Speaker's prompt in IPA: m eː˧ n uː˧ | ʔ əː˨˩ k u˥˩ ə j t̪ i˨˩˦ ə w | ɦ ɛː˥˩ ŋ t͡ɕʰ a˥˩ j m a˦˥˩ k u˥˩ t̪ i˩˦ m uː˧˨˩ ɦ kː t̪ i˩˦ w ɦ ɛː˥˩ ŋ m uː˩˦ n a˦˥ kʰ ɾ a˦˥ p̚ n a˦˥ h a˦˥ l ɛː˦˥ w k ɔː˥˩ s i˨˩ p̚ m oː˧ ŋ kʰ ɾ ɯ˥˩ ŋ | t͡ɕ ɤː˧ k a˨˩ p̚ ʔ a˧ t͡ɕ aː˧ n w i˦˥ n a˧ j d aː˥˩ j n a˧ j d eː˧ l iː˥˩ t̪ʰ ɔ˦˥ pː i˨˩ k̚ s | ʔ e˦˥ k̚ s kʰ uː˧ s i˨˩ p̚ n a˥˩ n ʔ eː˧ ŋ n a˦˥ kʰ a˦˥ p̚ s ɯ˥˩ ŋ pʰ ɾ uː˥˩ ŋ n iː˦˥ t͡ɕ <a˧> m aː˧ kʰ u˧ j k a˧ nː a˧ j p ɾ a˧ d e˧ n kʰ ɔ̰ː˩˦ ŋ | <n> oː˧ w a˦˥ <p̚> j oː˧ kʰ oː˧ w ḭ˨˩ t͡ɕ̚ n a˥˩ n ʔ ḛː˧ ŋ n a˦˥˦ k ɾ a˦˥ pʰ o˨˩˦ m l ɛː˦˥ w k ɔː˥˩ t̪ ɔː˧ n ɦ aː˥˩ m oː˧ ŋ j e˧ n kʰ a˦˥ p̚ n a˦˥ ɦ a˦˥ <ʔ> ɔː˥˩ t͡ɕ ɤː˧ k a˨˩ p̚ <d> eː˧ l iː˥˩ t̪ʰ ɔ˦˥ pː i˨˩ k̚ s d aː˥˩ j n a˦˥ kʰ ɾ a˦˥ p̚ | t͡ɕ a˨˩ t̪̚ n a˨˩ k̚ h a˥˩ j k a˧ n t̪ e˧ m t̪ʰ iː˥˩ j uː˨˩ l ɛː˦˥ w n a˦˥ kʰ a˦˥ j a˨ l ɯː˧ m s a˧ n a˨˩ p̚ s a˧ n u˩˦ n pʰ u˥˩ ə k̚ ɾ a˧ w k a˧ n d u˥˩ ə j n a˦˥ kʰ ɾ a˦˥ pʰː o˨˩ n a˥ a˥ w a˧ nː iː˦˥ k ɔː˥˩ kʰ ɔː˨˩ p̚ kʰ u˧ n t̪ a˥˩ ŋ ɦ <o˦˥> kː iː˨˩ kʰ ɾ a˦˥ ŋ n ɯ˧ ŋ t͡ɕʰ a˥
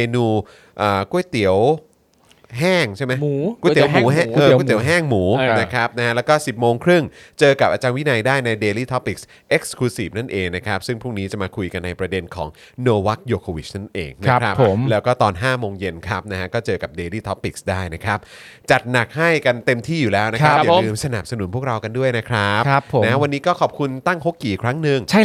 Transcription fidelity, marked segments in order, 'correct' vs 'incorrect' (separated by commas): incorrect, correct, incorrect, incorrect, correct, correct